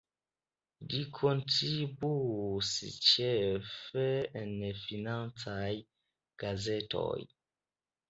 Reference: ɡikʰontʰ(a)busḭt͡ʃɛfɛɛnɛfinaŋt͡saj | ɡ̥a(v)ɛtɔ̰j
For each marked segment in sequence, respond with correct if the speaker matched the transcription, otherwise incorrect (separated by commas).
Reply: incorrect, incorrect